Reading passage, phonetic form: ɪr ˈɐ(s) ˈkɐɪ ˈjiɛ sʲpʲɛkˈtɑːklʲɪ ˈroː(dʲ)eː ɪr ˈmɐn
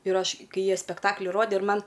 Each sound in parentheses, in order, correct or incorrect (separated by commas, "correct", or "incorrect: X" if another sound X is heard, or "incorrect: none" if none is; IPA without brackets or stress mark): incorrect: ʃ, correct